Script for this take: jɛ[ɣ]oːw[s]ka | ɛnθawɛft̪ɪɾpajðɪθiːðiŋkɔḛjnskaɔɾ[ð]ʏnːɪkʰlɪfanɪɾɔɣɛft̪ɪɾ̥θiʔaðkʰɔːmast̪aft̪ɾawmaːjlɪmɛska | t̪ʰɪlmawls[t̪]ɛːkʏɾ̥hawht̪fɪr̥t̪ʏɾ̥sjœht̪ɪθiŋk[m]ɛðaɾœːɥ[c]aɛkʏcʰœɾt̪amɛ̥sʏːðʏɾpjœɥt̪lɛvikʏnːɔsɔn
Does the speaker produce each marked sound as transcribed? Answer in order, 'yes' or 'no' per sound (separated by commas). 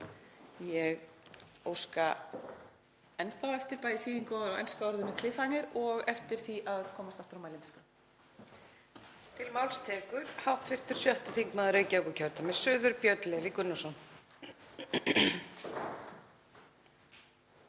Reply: yes, yes, yes, no, yes, yes